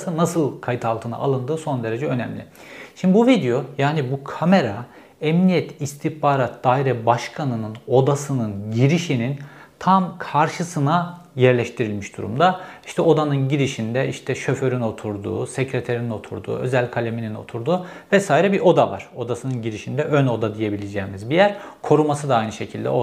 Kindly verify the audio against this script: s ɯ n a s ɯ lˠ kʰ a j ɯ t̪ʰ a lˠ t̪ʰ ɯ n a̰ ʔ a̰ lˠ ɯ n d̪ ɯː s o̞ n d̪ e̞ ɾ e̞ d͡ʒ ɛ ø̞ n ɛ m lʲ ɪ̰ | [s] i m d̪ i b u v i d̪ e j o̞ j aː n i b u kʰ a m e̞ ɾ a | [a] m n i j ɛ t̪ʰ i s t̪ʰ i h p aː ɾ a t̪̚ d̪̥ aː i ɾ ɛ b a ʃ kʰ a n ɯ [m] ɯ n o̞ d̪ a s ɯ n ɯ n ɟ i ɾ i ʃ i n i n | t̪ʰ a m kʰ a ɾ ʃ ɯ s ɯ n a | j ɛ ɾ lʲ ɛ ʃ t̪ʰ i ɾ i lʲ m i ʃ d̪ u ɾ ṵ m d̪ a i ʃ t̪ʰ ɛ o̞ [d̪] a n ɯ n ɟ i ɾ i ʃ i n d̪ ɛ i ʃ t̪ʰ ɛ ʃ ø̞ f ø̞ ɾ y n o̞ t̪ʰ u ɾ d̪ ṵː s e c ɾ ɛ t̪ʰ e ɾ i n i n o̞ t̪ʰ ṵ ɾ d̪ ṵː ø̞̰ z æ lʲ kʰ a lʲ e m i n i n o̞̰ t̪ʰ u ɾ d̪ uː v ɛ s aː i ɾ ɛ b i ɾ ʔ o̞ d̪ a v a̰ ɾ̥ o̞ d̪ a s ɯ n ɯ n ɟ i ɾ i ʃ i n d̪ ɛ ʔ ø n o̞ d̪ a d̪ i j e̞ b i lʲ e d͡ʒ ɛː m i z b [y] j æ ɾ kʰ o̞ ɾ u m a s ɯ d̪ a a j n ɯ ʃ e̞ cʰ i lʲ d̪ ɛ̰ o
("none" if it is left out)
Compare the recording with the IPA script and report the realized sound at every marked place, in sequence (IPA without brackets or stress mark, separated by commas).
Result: ʃ, ɛ, n, d̪, i